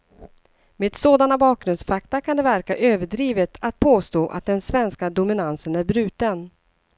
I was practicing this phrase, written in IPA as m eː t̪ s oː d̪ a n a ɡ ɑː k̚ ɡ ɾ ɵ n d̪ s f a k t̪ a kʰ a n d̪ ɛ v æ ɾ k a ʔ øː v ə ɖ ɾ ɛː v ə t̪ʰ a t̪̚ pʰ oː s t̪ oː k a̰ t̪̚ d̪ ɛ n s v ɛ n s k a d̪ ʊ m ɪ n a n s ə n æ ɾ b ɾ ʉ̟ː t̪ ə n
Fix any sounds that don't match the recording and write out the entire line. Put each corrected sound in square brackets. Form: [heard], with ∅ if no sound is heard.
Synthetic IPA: m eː [d̪] s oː d̪ a n a [b] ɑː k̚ ɡ ɾ ɵ n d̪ s f a k t̪ a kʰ a n d̪ ɛ v æ ɾ k a ʔ øː v ə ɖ ɾ [iː] v ə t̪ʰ a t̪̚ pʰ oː s t̪ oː [ʔ] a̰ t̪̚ d̪ ɛ n s v ɛ n s k a d̪ ʊ m ɪ n a n s ə n æ ɾ b ɾ ʉ̟ː t̪ ə n